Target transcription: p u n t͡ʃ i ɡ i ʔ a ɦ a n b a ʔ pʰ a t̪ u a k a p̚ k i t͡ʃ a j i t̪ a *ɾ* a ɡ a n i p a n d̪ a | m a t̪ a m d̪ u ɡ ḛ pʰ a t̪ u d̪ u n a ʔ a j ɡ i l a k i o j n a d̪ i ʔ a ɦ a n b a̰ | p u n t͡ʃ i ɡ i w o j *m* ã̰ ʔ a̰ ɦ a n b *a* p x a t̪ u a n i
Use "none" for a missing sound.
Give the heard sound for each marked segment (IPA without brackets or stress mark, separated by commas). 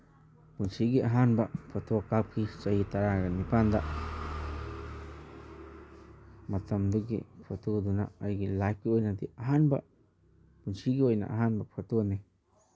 ɾ, n, a